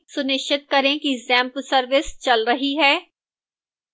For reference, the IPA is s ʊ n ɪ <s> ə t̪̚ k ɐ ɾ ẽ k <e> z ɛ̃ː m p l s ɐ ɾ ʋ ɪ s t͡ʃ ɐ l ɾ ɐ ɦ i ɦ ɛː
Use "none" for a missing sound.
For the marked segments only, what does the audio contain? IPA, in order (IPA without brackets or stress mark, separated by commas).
ʃ, i